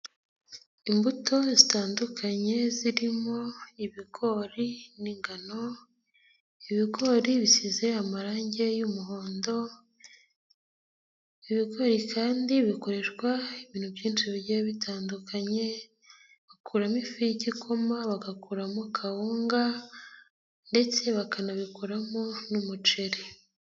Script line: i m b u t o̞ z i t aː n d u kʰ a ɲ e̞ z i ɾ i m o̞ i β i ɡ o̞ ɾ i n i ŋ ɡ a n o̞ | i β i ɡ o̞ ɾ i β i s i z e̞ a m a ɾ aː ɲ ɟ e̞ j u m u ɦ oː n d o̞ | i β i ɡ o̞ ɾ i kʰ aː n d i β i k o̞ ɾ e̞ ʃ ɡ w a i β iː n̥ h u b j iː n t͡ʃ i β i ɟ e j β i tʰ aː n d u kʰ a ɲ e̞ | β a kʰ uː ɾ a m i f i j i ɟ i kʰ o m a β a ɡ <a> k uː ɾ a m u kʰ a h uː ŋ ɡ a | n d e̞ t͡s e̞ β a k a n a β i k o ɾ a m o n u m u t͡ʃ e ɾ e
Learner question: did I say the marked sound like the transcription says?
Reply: yes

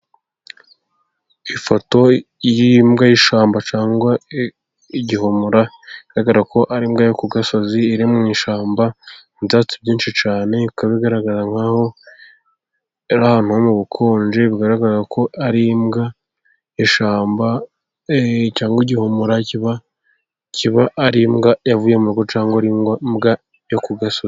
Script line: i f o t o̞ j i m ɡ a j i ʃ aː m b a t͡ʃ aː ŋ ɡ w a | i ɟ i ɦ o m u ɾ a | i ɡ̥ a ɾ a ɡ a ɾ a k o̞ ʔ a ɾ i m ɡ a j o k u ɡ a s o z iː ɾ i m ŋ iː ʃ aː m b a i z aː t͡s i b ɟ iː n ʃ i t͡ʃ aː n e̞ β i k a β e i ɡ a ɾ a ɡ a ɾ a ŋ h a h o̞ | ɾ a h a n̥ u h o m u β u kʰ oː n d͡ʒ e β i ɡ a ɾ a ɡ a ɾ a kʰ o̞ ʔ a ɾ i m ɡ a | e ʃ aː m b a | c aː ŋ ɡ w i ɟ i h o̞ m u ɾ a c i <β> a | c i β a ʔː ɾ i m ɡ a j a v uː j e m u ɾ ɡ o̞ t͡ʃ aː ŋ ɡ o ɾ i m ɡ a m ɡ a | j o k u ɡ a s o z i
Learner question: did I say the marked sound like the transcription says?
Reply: yes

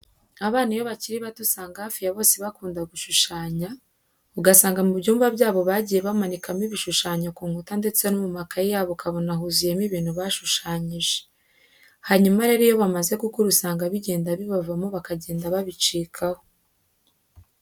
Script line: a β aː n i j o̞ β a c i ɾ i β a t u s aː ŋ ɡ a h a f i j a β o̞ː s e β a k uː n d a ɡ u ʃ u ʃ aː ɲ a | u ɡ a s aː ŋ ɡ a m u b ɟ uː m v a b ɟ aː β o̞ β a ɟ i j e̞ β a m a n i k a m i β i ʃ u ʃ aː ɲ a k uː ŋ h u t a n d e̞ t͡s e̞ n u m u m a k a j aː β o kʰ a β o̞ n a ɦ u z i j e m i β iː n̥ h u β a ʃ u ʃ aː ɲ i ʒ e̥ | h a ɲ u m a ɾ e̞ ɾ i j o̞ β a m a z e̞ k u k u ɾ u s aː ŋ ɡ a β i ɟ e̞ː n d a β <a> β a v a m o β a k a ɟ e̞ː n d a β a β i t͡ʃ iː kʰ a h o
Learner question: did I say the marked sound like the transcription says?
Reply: no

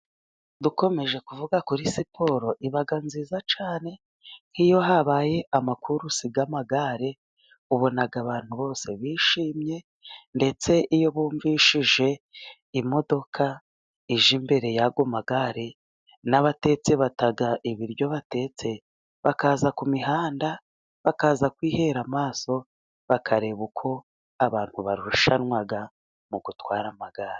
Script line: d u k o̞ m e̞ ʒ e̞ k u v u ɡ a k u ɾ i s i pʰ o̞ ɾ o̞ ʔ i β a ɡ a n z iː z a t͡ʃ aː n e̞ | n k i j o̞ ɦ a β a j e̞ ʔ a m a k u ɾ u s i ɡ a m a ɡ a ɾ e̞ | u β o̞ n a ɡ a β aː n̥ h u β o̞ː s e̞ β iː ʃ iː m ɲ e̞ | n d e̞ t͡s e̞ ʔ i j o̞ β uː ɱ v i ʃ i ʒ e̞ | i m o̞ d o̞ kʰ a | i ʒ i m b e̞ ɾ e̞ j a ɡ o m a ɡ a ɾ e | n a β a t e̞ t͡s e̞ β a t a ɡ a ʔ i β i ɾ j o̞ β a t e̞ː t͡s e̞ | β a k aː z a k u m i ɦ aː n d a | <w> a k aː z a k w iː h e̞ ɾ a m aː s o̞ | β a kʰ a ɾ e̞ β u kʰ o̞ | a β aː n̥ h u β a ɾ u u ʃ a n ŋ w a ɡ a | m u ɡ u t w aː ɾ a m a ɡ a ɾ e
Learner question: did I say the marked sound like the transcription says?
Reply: no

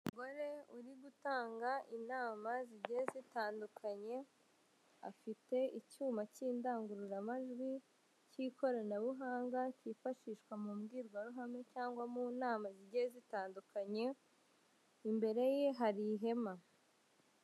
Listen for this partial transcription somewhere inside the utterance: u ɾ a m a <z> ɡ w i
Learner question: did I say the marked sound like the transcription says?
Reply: no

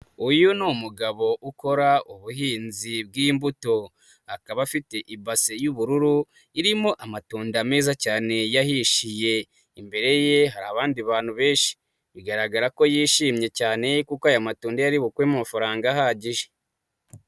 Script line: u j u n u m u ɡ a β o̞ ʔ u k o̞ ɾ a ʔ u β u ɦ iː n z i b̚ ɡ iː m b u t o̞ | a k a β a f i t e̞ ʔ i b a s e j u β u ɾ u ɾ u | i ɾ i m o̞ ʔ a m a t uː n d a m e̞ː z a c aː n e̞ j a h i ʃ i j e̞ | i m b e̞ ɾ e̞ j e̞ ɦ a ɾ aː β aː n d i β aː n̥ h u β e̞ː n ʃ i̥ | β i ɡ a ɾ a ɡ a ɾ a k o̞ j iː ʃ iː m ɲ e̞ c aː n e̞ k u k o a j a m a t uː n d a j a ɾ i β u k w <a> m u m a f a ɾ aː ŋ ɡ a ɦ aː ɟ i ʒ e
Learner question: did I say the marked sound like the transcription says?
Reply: no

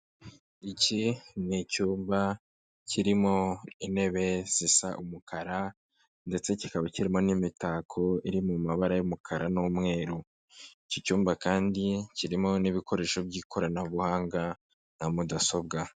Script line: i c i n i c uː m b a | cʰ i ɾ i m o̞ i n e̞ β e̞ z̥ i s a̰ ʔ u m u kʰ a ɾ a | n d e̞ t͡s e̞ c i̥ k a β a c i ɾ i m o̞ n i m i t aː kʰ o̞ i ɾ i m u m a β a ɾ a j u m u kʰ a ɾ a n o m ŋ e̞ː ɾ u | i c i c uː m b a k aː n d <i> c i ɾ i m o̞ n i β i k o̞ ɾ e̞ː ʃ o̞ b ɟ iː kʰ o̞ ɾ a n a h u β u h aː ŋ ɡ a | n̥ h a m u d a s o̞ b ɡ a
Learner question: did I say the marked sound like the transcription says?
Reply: yes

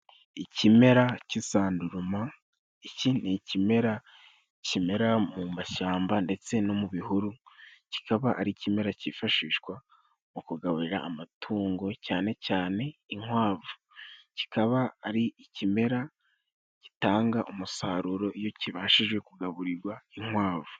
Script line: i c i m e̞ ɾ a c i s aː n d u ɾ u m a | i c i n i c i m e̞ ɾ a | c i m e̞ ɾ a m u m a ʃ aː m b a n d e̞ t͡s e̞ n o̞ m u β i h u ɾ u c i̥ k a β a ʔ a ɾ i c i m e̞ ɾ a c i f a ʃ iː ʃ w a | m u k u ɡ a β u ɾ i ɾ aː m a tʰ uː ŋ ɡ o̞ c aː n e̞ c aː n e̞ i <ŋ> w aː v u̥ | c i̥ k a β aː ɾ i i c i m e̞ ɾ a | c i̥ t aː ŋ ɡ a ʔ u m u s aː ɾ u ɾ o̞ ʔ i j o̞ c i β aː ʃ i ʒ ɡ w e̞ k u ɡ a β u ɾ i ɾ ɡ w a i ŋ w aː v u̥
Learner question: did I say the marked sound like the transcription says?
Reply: yes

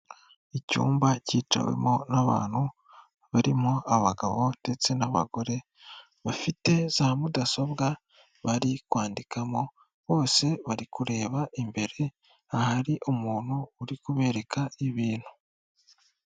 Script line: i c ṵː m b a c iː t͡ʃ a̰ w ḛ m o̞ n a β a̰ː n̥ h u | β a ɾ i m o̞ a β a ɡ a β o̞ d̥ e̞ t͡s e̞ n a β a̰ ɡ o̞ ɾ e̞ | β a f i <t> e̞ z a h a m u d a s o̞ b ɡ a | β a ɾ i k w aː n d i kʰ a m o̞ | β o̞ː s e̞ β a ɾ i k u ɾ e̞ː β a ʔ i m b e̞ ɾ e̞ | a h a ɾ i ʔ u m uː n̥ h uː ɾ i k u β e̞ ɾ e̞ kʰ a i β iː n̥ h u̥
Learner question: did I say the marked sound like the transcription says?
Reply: yes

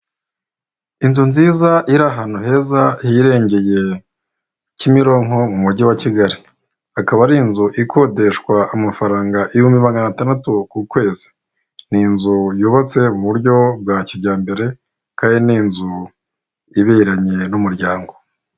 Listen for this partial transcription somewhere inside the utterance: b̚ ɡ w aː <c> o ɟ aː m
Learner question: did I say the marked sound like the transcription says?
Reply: yes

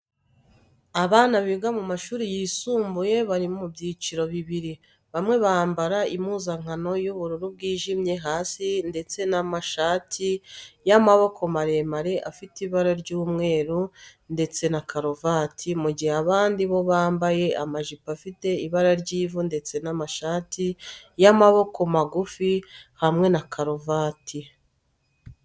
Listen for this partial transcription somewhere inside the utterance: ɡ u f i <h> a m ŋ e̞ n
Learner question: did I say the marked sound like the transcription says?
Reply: yes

